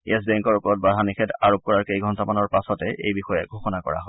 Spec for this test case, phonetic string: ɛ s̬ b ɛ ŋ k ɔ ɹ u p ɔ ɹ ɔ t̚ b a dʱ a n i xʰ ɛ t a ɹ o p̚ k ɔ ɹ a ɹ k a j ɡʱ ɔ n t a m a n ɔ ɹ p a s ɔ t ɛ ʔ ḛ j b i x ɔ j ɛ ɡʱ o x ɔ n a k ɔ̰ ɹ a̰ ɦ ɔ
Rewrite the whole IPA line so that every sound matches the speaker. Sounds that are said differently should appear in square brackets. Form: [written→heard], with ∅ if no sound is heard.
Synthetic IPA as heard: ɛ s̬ b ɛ ŋ k ɔ ɹ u p ɔ ɹ ɔ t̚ b a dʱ a n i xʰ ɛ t a ɹ o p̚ k ɔ ɹ a ɹ k [a→e] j ɡʱ ɔ n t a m a n ɔ ɹ p a s ɔ t ɛ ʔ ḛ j b i x ɔ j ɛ ɡʱ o x ɔ n a k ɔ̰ ɹ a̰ ɦ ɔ